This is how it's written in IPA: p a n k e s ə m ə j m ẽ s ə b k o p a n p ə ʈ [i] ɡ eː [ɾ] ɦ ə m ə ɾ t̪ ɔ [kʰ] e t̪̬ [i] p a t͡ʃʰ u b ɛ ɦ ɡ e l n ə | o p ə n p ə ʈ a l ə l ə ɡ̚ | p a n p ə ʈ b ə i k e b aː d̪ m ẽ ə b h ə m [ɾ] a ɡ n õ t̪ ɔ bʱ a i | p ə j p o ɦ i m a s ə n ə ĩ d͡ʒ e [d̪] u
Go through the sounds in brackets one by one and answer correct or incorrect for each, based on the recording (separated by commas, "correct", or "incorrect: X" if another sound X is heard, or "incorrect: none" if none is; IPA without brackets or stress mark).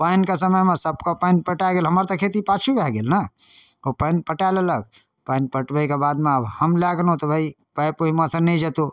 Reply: incorrect: a, incorrect: l, correct, correct, incorrect: l, incorrect: t̪